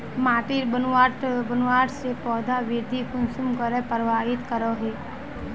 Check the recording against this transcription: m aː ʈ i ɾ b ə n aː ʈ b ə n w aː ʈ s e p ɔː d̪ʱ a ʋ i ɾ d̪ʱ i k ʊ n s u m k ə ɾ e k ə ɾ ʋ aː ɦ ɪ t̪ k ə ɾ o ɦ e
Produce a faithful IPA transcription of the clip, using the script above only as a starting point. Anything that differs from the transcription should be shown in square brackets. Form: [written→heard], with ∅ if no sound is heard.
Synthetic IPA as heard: m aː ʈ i ɾ b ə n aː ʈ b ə n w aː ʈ s e p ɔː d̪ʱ a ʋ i ɾ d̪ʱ i k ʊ n s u m k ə ɾ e [k→p] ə ɾ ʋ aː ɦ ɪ t̪ k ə ɾ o ɦ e